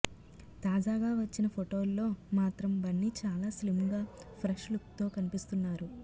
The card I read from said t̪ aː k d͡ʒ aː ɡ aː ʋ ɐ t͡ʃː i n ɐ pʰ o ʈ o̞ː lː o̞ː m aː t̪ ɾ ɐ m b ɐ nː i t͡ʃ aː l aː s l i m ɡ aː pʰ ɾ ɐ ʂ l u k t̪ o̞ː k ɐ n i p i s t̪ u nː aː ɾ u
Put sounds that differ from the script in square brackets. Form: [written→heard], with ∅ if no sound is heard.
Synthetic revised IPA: t̪ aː [k→∅] d͡ʒ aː ɡ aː ʋ ɐ t͡ʃː i n ɐ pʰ o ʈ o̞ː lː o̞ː m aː t̪ ɾ ɐ m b ɐ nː i t͡ʃ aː l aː s l i m ɡ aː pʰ ɾ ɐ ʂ l u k t̪ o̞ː k ɐ n i p i s t̪ u nː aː ɾ u